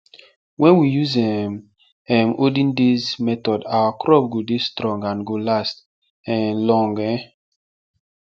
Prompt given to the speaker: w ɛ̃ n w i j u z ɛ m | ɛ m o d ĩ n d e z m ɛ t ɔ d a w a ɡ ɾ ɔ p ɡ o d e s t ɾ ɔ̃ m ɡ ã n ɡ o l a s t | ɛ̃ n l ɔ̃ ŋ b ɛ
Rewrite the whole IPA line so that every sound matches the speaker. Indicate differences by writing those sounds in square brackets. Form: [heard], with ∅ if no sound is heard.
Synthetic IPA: w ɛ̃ n w i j u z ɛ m | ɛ m o d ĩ n d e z m ɛ t ɔ d a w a [k] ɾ ɔ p ɡ o d e s t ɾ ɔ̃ [ŋ] ɡ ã n ɡ o l a s t | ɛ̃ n l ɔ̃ ŋ [ɡ] ɛ